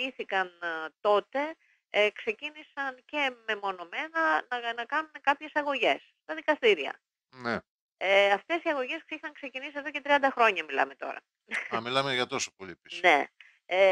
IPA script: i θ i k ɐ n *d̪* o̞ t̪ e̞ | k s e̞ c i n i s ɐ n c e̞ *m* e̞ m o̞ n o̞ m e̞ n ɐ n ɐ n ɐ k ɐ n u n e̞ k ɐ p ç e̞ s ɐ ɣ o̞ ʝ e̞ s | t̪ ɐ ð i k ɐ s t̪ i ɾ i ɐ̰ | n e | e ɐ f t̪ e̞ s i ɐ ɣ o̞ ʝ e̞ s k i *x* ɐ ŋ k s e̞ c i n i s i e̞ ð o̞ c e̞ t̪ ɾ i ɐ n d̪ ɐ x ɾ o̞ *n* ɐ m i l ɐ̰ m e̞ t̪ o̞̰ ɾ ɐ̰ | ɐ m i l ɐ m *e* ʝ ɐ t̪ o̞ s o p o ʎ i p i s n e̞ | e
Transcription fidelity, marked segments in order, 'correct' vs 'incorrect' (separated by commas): incorrect, correct, correct, incorrect, correct